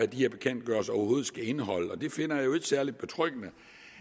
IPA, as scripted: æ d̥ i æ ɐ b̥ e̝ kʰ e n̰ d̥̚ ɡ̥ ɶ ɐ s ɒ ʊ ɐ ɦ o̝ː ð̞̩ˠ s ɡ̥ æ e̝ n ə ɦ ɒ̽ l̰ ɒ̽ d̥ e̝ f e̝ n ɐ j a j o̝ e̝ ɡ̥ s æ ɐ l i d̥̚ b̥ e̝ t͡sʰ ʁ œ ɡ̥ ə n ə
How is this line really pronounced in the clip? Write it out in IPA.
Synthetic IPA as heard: æ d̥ i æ ɐ b̥ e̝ kʰ e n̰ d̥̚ ɡ̥ ɶ ɐ s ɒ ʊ ɐ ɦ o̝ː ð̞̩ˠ s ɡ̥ æ e̝ n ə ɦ ɒ̽ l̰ ɒ̽ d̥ e̝ f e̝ n ɐ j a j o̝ e̝ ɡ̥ s æ ɐ l i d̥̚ b̥ e̝ t͡sʰ ʁ œ ɡ̥ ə n ə